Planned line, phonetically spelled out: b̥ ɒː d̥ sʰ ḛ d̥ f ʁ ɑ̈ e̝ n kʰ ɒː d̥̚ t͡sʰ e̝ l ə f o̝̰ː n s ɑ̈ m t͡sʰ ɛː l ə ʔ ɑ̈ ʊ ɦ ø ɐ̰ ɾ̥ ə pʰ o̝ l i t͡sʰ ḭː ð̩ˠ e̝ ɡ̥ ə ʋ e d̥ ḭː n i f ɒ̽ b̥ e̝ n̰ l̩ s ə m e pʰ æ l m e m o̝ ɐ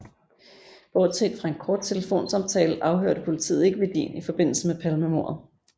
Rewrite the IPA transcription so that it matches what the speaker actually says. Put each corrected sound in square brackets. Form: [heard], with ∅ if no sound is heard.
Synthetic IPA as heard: b̥ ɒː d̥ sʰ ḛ d̥ f ʁ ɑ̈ e̝ n kʰ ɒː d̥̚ t͡sʰ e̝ l ə f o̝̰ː n s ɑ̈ m t͡sʰ ɛː l ə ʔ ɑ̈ ʊ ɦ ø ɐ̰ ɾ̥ ə pʰ o̝ l i t͡sʰ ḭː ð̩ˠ e̝ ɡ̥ ə ʋ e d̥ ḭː n i f ɒ̽ b̥ e̝ n̰ l̩ s ə m e pʰ æ l m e m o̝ ɐ